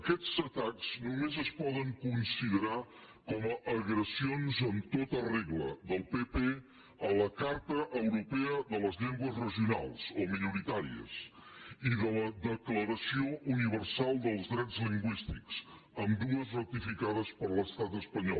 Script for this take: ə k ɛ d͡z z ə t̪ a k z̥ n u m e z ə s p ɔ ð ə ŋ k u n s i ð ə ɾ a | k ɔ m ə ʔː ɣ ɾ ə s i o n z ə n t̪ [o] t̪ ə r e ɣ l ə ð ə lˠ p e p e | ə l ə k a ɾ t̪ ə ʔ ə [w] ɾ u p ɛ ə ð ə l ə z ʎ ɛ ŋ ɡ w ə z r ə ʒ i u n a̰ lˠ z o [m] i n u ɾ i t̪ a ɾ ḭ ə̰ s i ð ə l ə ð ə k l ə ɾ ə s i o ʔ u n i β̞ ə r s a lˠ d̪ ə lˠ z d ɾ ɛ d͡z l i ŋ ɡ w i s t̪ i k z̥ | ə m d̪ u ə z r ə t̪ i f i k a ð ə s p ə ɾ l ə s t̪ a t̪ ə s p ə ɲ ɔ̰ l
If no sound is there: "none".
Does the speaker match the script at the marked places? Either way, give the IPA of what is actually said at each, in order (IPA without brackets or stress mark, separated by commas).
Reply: o, w, m